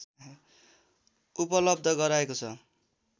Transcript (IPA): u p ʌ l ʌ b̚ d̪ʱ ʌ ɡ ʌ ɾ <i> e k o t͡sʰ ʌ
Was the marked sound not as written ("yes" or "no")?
yes